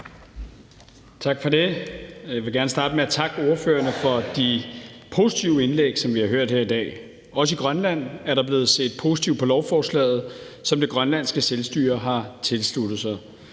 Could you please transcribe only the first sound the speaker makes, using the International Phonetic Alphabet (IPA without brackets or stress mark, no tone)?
t͡sʰ